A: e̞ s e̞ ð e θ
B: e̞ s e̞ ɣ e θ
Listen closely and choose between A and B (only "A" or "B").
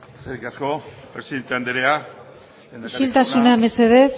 A